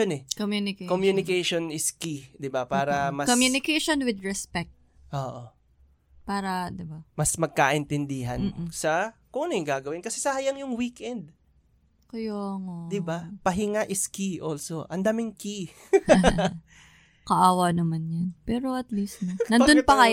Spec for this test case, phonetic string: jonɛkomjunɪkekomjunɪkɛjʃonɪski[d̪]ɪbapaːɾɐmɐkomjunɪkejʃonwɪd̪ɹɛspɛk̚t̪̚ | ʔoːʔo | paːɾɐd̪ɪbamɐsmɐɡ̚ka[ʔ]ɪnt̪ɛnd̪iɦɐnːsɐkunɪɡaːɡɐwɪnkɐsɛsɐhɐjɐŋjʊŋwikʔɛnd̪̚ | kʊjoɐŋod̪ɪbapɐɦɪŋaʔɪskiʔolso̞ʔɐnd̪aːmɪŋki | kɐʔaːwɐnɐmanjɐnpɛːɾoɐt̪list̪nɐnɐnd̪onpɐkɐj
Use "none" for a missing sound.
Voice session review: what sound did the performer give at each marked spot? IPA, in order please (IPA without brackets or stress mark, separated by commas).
d̪, ʔ